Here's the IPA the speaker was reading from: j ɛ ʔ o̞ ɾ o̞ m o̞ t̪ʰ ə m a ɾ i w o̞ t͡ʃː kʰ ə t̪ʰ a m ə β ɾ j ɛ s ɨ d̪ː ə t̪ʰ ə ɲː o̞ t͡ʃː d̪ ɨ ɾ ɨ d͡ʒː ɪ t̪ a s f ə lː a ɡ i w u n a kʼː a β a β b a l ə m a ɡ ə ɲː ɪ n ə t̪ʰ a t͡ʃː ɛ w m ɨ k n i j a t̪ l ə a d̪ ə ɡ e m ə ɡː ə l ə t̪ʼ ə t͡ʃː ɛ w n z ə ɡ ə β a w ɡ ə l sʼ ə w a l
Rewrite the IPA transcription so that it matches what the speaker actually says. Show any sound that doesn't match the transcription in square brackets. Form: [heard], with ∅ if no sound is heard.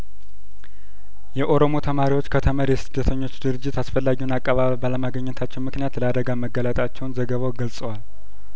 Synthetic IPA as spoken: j ɛ ʔ o̞ ɾ o̞ m o̞ t̪ʰ ə m a ɾ i w o̞ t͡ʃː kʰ ə t̪ʰ [ə] m ə [∅] ɾ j ɛ s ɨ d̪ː ə t̪ʰ ə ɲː o̞ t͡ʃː d̪ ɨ ɾ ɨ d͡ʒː ɪ t̪ a s f ə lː a ɡ i w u n a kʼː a β a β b a l ə m a ɡ ə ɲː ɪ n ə t̪ʰ a t͡ʃː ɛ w m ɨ k n i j a t̪ l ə a d̪ ə ɡ [a] m ə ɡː ə l ə t̪ʼ [a] t͡ʃː ɛ w n z ə ɡ ə β a w ɡ ə l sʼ ə w a l